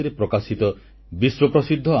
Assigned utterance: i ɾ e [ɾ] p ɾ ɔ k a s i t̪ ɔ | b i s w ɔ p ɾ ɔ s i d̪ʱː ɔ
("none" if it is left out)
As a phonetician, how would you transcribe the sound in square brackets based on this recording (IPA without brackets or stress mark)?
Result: none